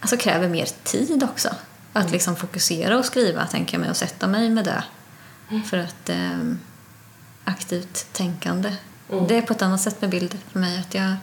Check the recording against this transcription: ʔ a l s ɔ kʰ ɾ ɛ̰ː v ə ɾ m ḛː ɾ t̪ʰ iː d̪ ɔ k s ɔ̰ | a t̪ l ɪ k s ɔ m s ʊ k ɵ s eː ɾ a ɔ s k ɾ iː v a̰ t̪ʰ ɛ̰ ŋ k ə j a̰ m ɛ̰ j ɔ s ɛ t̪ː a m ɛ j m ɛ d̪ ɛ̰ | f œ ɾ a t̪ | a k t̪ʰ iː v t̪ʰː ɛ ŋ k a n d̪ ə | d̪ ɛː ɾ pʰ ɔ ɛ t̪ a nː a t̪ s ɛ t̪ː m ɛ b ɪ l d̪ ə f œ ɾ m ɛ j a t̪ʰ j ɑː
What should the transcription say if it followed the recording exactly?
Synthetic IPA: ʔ a l s ɔ kʰ ɾ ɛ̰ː v ə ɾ m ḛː ɾ t̪ʰ iː d̪ ɔ k s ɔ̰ | a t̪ l ɪ k s ɔ m f ʊ k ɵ s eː ɾ a ɔ s k ɾ iː v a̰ t̪ʰ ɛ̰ ŋ k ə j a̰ m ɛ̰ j ɔ s ɛ t̪ː a m ɛ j m ɛ d̪ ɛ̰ | f œ ɾ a t̪ | a k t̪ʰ iː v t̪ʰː ɛ ŋ k a n d̪ ə | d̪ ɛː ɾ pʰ ɔ ɛ t̪ a nː a t̪ s ɛ t̪ː m ɛ b ɪ l d̪ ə f œ ɾ m ɛ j a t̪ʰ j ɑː